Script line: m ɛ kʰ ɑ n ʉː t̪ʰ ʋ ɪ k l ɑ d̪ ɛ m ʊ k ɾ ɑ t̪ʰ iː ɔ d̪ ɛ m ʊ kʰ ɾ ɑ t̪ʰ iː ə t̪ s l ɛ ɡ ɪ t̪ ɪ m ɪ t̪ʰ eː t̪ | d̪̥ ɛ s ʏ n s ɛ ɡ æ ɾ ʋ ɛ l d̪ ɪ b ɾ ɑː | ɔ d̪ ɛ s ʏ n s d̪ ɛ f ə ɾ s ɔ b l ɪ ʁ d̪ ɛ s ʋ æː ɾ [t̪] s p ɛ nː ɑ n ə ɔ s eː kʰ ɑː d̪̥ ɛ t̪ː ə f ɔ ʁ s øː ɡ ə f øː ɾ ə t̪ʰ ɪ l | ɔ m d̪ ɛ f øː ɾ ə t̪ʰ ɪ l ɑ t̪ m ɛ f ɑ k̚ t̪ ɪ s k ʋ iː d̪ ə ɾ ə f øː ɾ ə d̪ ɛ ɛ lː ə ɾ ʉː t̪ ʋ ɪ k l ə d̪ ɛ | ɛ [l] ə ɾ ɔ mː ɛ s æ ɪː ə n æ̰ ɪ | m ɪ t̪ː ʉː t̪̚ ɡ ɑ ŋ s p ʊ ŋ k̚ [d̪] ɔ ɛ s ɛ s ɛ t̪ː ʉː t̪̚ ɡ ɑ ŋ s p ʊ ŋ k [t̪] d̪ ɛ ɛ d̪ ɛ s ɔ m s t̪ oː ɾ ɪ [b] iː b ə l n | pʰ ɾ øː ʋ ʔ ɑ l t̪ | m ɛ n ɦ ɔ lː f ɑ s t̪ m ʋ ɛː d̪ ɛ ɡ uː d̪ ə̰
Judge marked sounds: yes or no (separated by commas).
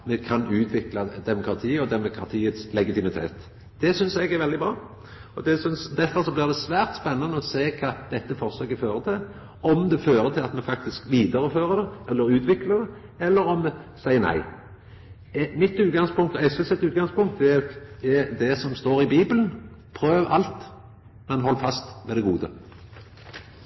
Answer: yes, no, no, yes, yes